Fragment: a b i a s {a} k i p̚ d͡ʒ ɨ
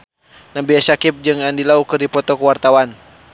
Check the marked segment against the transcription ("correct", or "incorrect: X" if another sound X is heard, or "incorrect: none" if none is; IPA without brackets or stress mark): correct